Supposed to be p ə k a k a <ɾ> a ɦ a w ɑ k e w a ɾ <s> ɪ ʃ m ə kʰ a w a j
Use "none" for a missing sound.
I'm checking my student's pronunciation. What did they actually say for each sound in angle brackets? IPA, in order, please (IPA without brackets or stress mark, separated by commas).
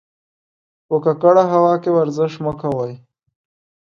ɽ, z